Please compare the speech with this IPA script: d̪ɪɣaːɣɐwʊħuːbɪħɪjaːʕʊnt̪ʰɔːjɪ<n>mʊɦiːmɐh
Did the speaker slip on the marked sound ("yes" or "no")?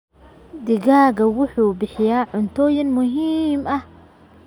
no